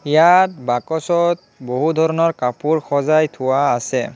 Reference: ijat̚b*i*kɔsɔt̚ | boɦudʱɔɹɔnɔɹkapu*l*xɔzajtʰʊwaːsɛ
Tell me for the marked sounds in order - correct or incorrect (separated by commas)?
incorrect, incorrect